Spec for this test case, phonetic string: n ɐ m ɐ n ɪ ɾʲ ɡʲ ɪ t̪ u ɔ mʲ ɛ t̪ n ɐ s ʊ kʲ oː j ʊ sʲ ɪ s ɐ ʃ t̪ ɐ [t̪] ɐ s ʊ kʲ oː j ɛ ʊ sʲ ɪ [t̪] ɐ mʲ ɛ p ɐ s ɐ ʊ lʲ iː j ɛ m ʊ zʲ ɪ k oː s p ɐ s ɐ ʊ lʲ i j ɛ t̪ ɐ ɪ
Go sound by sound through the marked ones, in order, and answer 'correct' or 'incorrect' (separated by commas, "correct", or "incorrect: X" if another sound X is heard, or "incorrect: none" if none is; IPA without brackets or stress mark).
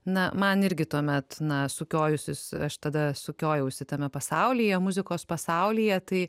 incorrect: d̪, correct